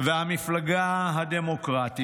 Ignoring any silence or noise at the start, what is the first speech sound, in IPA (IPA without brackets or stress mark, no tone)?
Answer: v